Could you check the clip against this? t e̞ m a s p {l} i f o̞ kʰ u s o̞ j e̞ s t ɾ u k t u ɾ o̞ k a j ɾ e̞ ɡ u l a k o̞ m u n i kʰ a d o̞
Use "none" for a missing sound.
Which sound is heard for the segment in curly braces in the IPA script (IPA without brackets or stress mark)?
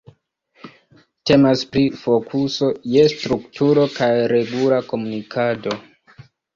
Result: ɾ